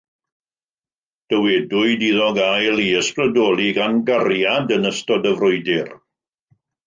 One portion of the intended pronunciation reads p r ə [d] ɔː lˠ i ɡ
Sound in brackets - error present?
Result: no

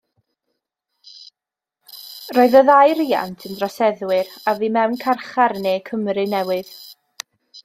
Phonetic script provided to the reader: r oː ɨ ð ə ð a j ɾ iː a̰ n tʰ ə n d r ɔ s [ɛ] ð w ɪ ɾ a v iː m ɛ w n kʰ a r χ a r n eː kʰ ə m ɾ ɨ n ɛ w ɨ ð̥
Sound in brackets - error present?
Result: no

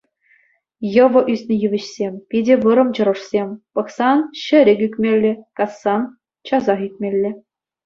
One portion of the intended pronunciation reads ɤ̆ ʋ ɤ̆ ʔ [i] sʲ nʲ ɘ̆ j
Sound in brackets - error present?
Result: yes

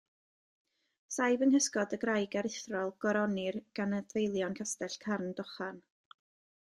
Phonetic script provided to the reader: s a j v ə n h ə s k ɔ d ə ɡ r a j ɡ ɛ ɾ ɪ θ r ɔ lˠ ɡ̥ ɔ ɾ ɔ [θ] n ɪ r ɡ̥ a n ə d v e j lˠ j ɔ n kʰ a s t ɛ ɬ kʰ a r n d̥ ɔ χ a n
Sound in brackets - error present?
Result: yes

